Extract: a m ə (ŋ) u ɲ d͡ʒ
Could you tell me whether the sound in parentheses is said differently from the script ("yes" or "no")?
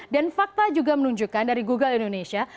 yes